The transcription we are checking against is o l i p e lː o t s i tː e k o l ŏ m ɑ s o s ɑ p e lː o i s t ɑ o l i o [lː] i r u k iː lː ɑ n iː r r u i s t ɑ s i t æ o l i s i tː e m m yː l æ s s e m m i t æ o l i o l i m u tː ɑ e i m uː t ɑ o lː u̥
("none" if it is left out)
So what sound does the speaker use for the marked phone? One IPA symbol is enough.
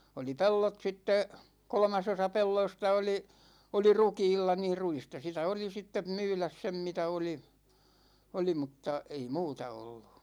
l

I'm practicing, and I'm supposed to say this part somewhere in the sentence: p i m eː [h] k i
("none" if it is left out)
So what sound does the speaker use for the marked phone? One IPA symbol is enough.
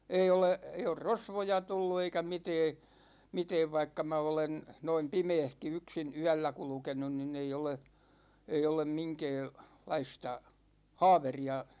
h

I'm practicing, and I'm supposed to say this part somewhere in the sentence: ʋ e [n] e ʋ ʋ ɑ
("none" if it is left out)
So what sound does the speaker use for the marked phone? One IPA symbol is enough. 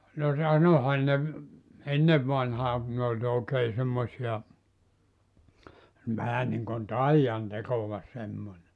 nː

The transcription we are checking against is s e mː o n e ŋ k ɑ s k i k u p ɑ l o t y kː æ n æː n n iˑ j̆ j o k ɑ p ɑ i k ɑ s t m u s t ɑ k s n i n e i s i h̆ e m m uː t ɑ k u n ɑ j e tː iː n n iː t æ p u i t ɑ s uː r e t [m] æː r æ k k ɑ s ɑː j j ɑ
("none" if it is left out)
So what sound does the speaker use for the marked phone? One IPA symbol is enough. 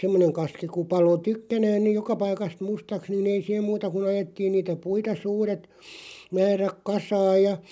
m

